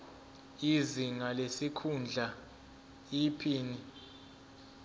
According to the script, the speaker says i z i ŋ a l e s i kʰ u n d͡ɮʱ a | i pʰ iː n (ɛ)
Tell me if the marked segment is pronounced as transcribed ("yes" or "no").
no